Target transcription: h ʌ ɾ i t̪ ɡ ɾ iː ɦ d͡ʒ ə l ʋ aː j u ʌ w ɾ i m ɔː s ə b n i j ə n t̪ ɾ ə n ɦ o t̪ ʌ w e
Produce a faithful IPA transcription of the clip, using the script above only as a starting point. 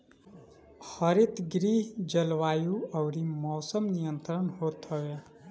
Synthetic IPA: h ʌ ɾ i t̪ ɡ ɾ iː ɦ d͡ʒ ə l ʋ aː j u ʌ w ɾ i m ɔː s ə m n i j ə n t̪ ɾ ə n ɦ o t̪ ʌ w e